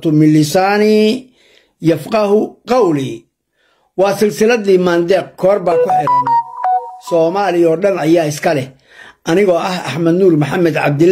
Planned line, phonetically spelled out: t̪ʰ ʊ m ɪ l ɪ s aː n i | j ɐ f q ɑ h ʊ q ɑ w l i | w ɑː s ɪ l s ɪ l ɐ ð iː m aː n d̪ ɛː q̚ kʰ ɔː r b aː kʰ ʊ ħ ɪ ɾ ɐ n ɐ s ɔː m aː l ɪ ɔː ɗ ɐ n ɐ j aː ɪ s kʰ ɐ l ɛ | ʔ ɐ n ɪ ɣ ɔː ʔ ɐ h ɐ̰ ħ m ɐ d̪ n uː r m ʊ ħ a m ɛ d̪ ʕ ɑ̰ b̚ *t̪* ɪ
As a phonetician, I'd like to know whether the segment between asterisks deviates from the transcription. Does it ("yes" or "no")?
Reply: yes